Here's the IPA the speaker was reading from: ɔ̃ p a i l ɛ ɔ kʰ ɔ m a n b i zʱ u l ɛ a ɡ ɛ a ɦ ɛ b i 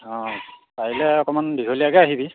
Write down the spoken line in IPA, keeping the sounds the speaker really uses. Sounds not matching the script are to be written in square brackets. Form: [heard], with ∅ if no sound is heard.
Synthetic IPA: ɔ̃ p a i l ɛ ɔ [k] ɔ m a n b i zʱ [o] l [i] a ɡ ɛ a ɦ [i] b i